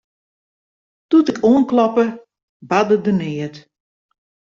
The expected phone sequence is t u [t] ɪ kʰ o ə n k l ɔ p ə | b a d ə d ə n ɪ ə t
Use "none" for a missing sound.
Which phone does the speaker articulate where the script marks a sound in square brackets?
t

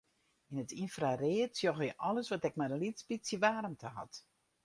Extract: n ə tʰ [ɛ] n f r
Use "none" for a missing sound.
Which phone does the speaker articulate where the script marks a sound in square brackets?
i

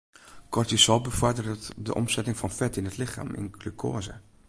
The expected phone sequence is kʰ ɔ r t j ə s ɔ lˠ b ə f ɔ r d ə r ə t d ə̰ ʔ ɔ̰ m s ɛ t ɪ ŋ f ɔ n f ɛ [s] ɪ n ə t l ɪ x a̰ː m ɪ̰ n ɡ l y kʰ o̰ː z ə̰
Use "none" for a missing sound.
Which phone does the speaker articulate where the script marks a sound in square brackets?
t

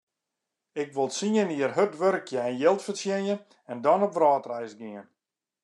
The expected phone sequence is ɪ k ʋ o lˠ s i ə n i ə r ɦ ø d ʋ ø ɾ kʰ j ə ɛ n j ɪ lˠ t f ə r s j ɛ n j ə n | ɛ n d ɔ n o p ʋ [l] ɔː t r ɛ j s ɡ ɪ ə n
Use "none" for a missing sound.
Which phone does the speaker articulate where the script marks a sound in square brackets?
r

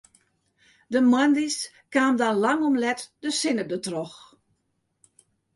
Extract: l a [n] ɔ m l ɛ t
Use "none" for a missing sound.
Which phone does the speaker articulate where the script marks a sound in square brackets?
ŋ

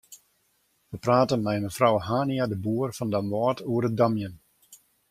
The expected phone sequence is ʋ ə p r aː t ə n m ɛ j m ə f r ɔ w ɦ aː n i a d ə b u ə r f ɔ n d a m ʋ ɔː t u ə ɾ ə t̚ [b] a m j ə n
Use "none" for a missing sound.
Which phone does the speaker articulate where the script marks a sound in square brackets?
d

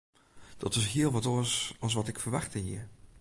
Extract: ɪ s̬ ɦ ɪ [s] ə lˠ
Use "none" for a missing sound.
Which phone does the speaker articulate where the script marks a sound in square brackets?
none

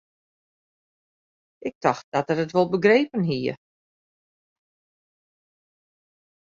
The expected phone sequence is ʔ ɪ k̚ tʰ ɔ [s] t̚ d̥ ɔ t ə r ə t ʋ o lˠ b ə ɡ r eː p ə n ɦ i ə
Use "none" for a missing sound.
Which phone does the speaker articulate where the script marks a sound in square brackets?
x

